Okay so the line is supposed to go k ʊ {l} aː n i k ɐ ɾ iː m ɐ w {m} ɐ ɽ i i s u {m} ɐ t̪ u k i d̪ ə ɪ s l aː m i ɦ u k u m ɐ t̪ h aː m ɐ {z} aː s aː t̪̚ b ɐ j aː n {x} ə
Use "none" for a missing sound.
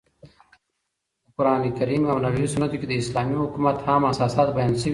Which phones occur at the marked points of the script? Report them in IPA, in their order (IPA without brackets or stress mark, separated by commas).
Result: ɾ, n, n, s, s